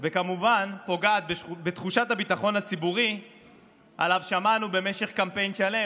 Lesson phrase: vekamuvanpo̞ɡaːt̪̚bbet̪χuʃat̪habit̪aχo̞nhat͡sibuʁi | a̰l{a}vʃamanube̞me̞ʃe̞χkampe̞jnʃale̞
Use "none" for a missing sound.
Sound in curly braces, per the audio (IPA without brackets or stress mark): a